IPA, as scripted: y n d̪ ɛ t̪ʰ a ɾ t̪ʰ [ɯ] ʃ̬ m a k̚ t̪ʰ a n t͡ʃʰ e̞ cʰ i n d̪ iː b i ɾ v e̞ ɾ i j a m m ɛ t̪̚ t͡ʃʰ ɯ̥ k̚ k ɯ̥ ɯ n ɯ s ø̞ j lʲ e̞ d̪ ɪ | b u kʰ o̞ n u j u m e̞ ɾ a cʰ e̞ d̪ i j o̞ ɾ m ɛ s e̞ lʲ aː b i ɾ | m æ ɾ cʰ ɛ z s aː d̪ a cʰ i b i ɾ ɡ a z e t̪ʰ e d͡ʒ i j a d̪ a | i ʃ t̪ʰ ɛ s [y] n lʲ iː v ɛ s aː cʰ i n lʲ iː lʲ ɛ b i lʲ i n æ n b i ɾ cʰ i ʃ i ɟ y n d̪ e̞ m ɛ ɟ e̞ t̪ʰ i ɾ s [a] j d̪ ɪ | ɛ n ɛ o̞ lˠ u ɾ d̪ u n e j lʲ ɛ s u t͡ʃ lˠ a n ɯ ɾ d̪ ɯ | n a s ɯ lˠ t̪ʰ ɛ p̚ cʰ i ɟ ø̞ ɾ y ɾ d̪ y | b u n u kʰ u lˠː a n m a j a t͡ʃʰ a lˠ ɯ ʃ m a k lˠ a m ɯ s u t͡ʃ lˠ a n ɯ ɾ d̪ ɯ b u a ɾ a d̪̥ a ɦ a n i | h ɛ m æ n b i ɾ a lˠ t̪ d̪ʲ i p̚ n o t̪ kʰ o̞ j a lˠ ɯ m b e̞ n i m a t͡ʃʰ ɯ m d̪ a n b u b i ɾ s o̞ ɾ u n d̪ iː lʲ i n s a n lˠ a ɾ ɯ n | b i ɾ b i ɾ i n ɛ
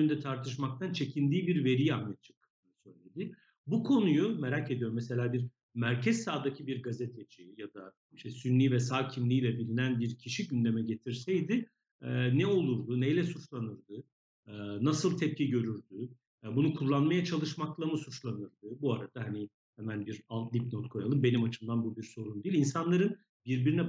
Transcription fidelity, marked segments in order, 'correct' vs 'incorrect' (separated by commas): correct, correct, incorrect